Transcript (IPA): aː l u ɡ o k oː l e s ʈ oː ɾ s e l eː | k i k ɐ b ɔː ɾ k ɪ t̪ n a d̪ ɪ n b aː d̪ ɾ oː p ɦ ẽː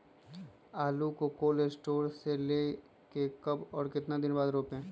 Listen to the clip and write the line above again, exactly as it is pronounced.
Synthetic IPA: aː l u k o k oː l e s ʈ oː ɾ s e l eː | k e k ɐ b ɔː ɾ k ɪ t̪ n a d̪ ɪ n b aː d̪ ɾ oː p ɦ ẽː